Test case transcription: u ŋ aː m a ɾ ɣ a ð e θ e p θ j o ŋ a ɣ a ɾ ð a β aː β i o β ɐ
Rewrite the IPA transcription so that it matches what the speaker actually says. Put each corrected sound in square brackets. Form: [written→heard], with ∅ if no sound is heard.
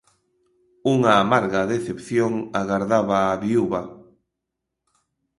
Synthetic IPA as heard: u ŋ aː m a ɾ ɣ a ð e θ e p θ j o ŋ a ɣ a ɾ ð a β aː β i [o→u] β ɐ